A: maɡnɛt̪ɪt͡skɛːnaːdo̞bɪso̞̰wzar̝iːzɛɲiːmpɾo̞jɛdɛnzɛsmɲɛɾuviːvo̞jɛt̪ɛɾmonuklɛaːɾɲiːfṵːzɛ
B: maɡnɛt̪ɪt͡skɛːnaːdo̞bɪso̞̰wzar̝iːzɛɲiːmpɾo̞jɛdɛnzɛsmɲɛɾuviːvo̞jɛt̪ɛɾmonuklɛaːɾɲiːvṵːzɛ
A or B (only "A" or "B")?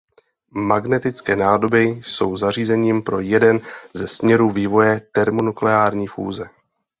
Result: A